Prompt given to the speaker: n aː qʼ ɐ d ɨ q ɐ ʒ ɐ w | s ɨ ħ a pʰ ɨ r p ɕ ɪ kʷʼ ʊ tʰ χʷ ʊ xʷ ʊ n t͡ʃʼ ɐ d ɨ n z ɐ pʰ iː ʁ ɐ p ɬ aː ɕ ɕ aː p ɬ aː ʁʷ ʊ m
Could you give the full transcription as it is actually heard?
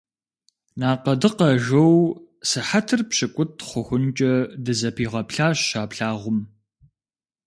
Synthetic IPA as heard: n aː q ɐ d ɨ q ɐ ʒ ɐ w | s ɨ ħ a tʰ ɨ r p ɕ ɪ kʷʼ ʊ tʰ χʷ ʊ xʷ ʊ n t͡ʃʼ ɐ d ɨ z ɐ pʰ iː ʁ ɐ p ɬ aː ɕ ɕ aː p ɬ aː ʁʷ ʊ m